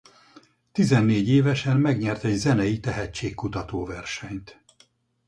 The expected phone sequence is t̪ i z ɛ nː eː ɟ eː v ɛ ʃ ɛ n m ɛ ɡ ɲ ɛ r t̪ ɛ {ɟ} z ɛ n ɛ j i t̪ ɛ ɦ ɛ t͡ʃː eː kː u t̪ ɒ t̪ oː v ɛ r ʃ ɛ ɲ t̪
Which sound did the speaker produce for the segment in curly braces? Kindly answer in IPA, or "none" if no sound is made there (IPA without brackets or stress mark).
ɟ